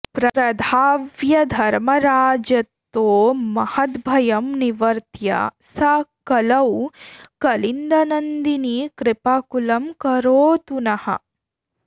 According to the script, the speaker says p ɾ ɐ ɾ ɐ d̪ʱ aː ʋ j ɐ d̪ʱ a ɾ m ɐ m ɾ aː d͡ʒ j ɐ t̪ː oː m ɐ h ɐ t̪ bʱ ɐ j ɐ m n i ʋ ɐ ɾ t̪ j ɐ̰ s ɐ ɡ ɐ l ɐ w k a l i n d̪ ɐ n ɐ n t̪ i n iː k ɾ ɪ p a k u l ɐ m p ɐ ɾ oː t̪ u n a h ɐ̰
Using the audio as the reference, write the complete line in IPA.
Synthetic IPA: p ɾ ɐ ɾ ɐ d̪ʱ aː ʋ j ɐ d̪ʱ ɐ ɾ m ɐ ɾ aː d͡ʒ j ɐ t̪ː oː m ɐ h ɐ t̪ bʱ ɐ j ɐ m n i ʋ ɐ ɾ t̪ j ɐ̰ s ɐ k ɐ l ɐ w k ɐ l i n d̪ ɐ n ɐ n d̪ i n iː k ɾ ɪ p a k u l ɐ m k ɐ ɾ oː t̪ u n ɐ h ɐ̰